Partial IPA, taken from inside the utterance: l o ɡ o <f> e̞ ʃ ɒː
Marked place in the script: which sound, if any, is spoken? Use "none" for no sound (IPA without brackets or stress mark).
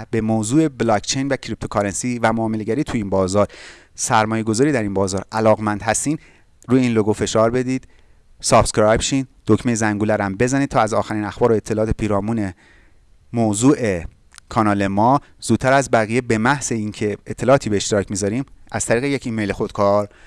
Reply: f